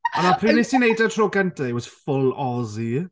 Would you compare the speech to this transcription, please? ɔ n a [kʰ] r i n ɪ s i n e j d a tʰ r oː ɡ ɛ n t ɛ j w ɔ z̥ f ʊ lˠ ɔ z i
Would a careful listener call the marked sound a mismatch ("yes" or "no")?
yes